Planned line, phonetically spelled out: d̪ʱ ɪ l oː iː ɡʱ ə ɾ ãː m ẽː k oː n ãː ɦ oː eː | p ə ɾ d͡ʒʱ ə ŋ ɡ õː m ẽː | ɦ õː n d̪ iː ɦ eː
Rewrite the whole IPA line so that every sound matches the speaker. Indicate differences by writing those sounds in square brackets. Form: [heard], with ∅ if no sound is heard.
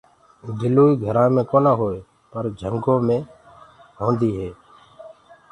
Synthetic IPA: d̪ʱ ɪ l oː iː ɡʱ ə ɾ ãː m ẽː k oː n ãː ɦ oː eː | p ə ɾ d͡ʒʱ ə ŋ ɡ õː m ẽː | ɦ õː n d̪ iː ɦ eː